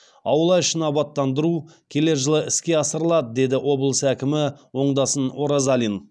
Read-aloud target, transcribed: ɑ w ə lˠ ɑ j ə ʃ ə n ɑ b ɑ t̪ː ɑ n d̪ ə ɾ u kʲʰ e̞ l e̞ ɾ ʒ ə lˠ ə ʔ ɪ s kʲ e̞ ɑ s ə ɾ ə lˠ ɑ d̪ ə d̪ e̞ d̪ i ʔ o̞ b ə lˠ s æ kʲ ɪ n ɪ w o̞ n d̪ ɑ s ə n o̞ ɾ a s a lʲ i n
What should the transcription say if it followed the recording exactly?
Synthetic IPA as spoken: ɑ w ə lˠ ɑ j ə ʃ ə n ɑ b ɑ t̪ː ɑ n d̪ ə ɾ u kʲʰ e̞ l e̞ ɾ ʒ ə lˠ ə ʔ ɪ s kʲ e̞ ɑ s ə ɾ ə lˠ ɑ d̪ ə d̪ e̞ d̪ ɪ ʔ o̞ b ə lˠ s æ kʲ ɪ m ɪ w o̞ ɴ d̪ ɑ s ə n o̞ ɾ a z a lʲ i n